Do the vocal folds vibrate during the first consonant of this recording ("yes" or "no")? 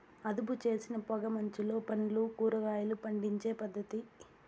yes